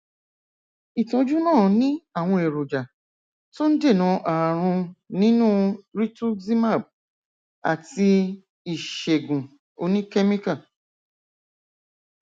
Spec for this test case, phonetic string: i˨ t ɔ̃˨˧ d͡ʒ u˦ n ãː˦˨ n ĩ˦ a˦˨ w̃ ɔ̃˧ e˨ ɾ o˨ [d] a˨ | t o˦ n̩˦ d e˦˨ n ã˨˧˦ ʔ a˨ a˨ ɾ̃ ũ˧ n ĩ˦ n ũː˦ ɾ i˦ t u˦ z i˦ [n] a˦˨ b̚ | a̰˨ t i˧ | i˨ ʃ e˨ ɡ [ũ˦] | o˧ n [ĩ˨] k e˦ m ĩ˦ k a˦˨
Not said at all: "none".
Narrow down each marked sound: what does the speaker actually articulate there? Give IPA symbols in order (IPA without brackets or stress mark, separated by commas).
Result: d͡ʒ, m, ũ˨, ĩ˦